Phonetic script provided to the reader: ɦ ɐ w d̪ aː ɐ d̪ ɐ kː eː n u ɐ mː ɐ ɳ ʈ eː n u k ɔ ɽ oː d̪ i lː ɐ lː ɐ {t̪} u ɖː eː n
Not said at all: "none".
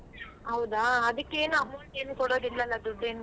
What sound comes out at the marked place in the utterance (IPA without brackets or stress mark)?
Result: d̪